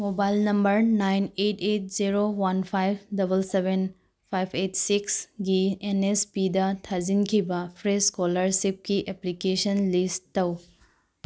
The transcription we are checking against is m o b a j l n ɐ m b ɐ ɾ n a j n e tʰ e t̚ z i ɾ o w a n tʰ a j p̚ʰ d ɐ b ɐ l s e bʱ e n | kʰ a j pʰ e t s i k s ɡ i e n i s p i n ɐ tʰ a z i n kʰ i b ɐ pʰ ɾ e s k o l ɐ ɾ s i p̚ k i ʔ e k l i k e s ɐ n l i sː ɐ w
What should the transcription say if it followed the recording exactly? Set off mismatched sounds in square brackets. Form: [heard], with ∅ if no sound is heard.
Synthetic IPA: m o b a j l n ɐ m b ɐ ɾ n a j n e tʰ e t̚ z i ɾ o w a n [pʰ] a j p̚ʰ d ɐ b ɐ l s e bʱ e n | [pʰ] a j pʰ e t s i k s ɡ i e n [e] s p i [d] ɐ tʰ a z i n kʰ i b ɐ pʰ ɾ e s k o l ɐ ɾ s i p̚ k i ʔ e [p] l i k e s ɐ n l i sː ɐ w